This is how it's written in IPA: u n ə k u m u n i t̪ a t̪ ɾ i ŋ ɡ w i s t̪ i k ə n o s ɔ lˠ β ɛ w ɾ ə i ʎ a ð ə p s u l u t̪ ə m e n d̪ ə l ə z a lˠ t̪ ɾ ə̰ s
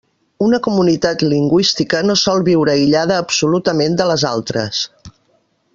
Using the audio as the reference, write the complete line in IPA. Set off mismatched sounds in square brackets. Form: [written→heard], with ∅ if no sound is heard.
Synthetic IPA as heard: u n ə k u m u n i t̪ a t̪ [ɾ→l] i ŋ ɡ w i s t̪ i k ə n o s ɔ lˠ β [ɛ→i] w ɾ ə i ʎ a ð [ə→əː] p s u l u t̪ ə m e n d̪ ə l ə z a lˠ t̪ ɾ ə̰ s